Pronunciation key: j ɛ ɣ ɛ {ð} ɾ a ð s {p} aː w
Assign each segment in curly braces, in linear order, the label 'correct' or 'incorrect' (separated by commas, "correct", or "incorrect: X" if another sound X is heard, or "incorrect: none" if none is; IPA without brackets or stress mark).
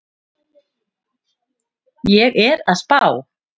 incorrect: none, correct